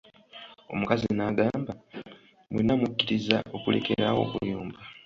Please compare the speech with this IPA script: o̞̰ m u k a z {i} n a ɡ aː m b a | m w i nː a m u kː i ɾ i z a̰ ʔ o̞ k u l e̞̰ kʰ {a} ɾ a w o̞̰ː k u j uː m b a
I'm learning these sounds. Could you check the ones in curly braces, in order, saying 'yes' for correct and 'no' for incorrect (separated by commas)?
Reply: yes, no